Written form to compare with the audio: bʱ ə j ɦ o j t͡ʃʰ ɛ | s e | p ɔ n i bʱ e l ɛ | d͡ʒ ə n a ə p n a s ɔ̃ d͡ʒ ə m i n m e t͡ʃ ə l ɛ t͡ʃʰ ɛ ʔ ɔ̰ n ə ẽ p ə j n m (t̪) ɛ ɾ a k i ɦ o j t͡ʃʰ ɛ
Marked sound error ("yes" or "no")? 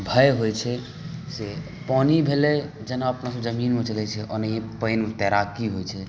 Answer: no